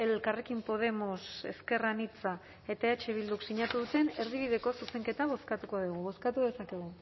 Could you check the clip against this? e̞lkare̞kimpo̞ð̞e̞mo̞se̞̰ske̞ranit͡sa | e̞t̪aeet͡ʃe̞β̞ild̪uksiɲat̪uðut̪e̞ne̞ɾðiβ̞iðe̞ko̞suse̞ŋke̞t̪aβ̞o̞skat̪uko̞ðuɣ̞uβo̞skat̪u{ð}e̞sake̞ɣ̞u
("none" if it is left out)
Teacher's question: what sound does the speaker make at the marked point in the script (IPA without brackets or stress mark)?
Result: ð